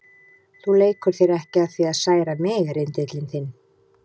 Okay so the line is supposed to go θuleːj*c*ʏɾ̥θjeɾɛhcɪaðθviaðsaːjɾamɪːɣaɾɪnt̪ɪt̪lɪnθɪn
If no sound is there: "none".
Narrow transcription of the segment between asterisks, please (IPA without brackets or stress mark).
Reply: k